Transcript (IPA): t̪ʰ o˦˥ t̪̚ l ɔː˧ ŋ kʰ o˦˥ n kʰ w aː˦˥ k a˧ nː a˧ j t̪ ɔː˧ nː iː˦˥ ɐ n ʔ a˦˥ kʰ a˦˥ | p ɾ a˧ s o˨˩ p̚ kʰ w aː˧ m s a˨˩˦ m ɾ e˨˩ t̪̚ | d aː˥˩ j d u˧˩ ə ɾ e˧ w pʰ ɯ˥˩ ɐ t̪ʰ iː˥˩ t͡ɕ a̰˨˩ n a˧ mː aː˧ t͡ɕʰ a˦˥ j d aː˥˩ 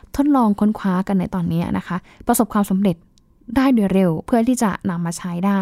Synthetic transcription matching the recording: t̪ʰ o˦˥ t̪̚ l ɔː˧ ŋ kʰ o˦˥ n kʰ w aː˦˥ k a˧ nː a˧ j t̪ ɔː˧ nː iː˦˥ ɐ n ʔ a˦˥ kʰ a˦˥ | p ɾ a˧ s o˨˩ p̚ kʰ w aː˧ m s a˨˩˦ m ɾ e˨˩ t̪̚ | d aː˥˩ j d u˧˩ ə ɾ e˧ w pʰ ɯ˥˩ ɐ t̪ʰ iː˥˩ t͡ɕ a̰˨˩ n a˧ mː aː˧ t͡ɕʰ a˦˥ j d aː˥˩